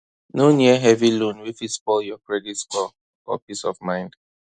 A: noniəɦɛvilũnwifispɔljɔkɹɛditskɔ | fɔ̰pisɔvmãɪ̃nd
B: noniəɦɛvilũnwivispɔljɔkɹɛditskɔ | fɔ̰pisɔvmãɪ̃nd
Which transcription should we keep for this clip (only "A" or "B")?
A